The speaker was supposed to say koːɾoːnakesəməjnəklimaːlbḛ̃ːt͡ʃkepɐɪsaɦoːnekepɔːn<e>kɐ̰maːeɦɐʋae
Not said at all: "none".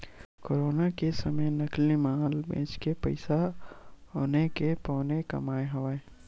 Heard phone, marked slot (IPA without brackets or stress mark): e